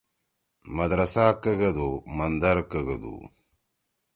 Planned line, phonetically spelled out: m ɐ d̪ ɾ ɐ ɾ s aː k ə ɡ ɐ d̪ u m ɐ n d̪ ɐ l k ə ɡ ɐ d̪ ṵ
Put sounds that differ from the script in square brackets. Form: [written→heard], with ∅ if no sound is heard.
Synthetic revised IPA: m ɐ d̪ ɾ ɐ [ɾ→∅] s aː k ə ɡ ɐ d̪ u m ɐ n d̪ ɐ [l→ɾ] k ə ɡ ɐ d̪ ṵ